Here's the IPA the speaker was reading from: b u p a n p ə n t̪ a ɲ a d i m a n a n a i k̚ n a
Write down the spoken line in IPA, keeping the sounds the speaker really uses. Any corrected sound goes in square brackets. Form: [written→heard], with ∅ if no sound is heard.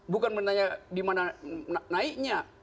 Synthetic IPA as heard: b u [p→k] a n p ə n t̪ a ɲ a d i m a n a n a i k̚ [n→ɲ] a